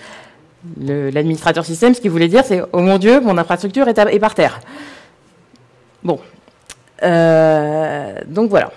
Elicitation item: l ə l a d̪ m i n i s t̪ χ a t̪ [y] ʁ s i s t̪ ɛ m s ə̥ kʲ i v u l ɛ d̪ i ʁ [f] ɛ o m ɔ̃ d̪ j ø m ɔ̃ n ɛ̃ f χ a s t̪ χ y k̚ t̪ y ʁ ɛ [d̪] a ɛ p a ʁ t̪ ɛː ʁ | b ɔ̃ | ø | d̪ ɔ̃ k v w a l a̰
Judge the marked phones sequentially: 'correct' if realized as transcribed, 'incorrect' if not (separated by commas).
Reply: incorrect, incorrect, incorrect